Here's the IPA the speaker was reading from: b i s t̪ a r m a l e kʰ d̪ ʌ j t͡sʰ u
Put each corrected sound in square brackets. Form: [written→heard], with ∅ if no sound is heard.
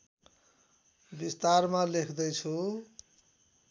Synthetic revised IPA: b i s t̪ a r m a l e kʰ d̪ ʌ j t͡sʰ u